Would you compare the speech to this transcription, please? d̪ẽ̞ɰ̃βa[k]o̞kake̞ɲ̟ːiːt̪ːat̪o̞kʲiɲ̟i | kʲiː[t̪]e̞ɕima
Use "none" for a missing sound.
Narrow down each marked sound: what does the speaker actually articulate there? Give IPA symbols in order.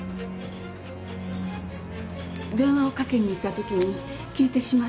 none, t̪

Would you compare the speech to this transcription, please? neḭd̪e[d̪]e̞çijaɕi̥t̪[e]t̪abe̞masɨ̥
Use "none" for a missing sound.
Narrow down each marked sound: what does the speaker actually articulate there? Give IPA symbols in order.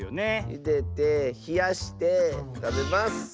t̪, e

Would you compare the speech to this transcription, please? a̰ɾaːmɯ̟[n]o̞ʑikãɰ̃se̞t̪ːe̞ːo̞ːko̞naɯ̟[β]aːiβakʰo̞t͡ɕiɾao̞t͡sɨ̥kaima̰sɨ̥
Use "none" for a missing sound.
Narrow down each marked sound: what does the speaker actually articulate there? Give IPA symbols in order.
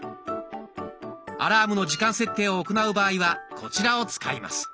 n, b

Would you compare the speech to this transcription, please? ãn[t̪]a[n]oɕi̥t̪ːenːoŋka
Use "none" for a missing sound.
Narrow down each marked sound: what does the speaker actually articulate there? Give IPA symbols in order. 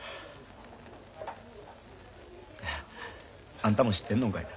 t̪, m

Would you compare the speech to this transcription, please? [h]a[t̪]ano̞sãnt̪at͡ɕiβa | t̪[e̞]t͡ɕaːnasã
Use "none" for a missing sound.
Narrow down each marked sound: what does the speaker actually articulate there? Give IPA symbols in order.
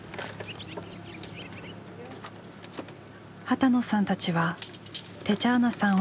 h, t̪, e̞

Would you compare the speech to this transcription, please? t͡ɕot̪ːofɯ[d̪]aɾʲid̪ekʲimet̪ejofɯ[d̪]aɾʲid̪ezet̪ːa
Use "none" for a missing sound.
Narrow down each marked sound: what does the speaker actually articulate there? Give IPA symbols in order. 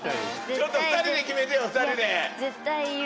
t̪, t̪

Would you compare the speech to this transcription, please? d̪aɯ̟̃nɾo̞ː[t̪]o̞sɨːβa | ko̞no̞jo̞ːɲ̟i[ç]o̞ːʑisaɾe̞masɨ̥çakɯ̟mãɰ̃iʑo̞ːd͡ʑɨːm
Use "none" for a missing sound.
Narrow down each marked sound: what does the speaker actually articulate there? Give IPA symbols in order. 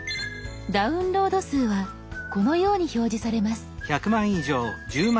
d̪, ç

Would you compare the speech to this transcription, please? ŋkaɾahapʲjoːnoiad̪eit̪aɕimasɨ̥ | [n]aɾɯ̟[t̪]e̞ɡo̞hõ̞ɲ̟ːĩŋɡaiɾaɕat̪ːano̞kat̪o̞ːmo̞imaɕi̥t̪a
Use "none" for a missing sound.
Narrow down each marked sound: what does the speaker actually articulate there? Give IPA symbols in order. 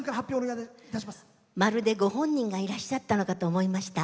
m, d̪

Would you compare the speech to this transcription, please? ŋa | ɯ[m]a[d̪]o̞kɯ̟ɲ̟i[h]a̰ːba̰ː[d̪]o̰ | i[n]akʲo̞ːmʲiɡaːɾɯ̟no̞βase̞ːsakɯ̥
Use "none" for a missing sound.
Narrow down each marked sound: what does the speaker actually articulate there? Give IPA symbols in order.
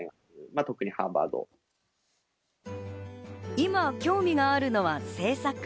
m, t̪, h, d̪, m

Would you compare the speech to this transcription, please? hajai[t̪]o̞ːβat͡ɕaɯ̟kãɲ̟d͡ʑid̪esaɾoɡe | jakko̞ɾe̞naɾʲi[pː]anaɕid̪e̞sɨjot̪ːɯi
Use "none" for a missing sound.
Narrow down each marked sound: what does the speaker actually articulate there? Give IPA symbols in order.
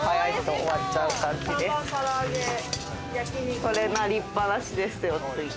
t̪, pː

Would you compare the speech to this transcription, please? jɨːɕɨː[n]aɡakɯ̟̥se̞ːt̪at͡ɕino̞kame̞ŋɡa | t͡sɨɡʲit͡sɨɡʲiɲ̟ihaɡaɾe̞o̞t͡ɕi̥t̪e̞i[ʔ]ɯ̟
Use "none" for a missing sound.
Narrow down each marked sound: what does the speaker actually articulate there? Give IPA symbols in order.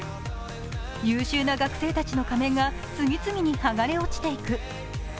n, k

